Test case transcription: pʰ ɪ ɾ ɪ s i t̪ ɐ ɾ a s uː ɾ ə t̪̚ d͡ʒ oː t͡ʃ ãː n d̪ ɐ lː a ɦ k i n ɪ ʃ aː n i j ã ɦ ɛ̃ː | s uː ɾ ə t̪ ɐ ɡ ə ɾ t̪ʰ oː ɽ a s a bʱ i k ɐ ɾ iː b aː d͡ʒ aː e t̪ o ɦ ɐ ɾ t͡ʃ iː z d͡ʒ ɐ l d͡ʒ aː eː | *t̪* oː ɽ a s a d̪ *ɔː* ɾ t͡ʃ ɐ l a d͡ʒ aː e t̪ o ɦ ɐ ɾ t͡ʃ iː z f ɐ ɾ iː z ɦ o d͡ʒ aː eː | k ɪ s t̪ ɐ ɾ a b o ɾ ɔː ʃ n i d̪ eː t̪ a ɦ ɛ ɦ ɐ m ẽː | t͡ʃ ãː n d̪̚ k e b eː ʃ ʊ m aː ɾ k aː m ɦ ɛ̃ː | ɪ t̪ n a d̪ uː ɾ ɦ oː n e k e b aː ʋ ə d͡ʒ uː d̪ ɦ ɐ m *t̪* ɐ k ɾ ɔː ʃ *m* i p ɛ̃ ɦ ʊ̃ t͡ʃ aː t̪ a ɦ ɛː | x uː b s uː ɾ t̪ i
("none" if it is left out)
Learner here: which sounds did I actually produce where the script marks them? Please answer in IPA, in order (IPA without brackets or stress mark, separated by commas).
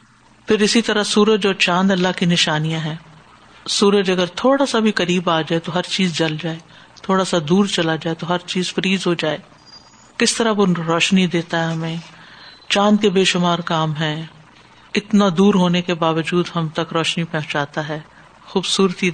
t̪ʰ, uː, t̪, n